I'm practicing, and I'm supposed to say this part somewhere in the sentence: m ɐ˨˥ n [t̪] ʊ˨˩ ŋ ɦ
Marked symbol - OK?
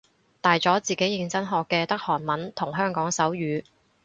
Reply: no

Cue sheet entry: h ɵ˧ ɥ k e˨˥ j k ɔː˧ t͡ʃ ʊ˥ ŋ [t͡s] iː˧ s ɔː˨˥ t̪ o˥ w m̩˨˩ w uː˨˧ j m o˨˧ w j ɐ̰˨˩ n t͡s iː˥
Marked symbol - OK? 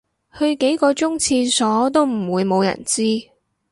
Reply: no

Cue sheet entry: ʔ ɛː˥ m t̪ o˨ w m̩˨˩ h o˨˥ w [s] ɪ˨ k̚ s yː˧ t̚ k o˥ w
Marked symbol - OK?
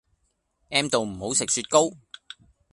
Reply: yes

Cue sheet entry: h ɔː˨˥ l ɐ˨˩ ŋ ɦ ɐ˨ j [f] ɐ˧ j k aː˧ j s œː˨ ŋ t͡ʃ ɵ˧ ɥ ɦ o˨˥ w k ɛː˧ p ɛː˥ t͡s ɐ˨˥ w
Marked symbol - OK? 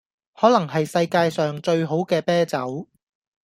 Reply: no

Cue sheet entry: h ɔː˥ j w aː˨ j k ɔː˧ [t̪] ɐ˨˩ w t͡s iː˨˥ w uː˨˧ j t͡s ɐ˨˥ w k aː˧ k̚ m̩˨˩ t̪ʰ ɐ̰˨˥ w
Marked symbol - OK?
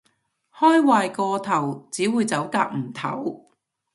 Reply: no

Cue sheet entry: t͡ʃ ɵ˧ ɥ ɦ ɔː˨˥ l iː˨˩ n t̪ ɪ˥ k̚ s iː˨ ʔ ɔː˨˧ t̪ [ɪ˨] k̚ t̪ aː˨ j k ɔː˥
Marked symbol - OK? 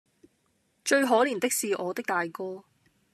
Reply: no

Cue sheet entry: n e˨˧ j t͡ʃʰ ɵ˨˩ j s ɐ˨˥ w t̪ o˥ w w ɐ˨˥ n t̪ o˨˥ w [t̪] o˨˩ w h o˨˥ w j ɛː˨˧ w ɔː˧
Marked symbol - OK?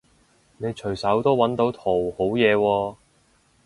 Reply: no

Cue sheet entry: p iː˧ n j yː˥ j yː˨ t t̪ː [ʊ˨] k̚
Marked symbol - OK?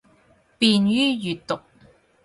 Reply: yes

